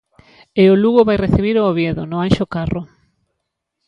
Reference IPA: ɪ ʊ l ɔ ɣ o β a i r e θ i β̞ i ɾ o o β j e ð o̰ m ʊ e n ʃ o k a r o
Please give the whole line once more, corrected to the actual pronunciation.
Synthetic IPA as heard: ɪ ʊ l u ɣ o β a j r e θ i β̞ i ɾ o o β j e ð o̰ n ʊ a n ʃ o k a r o